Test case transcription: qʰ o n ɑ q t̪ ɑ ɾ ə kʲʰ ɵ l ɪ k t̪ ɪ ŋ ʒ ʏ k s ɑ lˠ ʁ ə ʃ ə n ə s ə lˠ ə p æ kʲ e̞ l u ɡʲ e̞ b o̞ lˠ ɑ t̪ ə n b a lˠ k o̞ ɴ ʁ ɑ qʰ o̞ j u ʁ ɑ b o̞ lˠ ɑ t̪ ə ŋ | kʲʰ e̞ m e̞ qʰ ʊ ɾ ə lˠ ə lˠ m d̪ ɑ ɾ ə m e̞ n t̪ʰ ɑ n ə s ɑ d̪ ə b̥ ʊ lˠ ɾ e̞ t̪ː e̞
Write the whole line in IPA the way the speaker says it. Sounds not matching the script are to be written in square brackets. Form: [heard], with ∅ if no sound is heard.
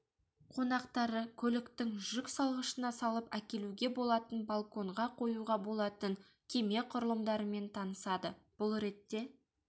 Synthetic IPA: qʰ o n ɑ q t̪ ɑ ɾ ə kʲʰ ɵ l ɪ k t̪ ɪ ŋ ʒ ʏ k s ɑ lˠ ʁ ə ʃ ə n [ɑ] s [ɑ] lˠ ə p æ kʲ e̞ l u ɡʲ e̞ b o̞ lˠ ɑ t̪ ə n b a lˠ k o̞ ɴ ʁ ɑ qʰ o̞ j u ʁ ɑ b o̞ lˠ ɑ t̪ ə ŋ | kʲʰ e̞ m e̞ qʰ ʊ ɾ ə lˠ ə [∅] m d̪ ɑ ɾ ə m e̞ n t̪ʰ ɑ n ə s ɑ d̪ ə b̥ ʊ lˠ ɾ e̞ t̪ː e̞

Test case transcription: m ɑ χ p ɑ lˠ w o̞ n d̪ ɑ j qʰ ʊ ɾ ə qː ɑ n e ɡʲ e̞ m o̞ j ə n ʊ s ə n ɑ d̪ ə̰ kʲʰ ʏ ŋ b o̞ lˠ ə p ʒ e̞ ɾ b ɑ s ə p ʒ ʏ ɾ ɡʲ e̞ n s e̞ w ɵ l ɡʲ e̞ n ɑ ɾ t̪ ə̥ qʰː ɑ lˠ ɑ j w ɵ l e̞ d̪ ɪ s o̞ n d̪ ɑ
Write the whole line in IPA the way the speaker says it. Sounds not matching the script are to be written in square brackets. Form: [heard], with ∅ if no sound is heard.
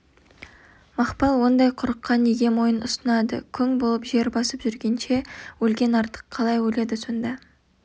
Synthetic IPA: m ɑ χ p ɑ lˠ w o̞ n d̪ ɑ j qʰ ʊ ɾ ə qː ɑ n e ɡʲ e̞ m o̞ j ə n ʊ s ə n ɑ d̪ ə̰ kʲʰ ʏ ŋ b o̞ lˠ ə p ʒ e̞ ɾ b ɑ s ə p ʒ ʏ ɾ ɡʲ e̞ n [ʃ] e̞ w ɵ l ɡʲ e̞ n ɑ ɾ t̪ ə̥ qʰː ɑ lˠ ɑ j w ɵ l e̞ d̪ ɪ s o̞ n d̪ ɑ

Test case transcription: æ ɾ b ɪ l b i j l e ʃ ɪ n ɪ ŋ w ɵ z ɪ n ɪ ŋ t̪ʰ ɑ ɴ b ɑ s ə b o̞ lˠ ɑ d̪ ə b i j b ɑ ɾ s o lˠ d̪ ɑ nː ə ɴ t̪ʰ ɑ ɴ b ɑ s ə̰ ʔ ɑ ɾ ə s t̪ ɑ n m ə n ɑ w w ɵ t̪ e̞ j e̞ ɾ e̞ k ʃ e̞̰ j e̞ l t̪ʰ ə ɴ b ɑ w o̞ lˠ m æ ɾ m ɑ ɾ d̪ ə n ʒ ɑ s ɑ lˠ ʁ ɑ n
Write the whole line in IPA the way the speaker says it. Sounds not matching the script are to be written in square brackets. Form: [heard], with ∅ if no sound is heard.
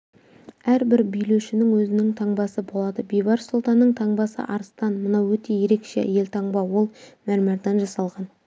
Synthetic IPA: æ ɾ b ɪ [ɾ] b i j l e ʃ ɪ n ɪ ŋ w ɵ z ɪ n ɪ ŋ t̪ʰ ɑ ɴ b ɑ s ə b o̞ lˠ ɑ d̪ ə b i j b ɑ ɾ s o lˠ [t̪] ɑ nː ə ɴ t̪ʰ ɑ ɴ b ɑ s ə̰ ʔ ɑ ɾ ə s t̪ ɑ n m ə n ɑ w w ɵ t̪ e̞ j e̞ ɾ e̞ k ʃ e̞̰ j e̞ l t̪ʰ [ɑ] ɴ b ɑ w o̞ lˠ m æ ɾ m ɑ ɾ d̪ [ɑ] n ʒ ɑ s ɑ lˠ ʁ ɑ n

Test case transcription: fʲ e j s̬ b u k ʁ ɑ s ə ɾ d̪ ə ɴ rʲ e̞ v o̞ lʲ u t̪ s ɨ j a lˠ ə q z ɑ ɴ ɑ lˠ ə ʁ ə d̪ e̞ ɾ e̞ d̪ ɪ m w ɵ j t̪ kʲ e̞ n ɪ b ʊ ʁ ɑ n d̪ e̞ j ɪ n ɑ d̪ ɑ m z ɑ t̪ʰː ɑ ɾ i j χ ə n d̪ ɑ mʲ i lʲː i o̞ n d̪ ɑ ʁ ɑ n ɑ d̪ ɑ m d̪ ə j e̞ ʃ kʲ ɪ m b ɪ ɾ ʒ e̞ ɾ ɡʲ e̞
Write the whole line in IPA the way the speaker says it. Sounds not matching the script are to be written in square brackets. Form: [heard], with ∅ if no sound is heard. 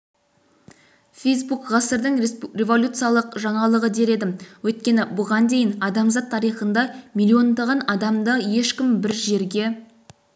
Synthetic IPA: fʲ e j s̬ b u k ʁ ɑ s ə ɾ d̪ ə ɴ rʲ e̞ v o̞ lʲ u t̪ s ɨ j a lˠ ə q [ʒ] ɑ ɴ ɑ lˠ ə ʁ ə d̪ e̞ ɾ e̞ d̪ ɪ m w ɵ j t̪ kʲ e̞ n ɪ b ʊ ʁ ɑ n d̪ e̞ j ɪ n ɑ d̪ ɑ m z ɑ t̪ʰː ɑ ɾ i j χ ə n d̪ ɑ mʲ i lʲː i o̞ n d̪ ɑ ʁ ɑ n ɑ d̪ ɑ m d̪ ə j e̞ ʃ kʲ ɪ m b ɪ ɾ ʒ e̞ ɾ ɡʲ e̞

